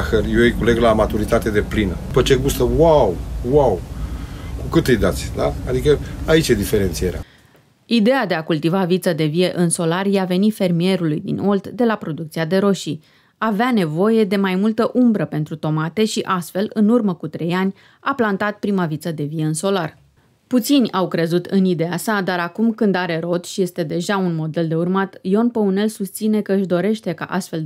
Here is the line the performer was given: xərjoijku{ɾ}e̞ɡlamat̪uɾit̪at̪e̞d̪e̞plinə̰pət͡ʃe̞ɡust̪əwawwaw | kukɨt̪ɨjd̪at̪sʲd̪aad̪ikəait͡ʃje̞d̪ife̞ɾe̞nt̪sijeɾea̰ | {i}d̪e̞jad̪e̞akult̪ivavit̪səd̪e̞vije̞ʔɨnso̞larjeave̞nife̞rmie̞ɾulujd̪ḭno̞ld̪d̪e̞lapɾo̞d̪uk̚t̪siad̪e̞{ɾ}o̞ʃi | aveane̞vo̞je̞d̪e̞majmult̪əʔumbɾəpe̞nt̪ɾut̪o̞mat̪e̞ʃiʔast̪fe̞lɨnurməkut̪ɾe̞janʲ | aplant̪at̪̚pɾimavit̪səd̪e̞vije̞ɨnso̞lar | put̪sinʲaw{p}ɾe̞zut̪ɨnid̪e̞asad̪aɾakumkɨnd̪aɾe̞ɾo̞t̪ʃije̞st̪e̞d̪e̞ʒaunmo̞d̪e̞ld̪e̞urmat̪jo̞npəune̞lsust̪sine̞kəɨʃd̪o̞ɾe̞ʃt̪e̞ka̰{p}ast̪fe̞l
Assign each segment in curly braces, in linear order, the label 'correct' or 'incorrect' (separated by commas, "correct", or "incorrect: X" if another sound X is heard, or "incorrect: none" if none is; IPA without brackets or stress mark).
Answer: incorrect: l, correct, correct, incorrect: k, incorrect: ʔ